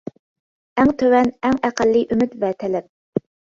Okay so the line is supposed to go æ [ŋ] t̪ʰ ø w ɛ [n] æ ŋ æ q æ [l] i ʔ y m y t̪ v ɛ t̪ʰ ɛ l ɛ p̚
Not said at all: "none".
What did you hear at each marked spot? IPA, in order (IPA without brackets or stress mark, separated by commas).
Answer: ŋ, n, lː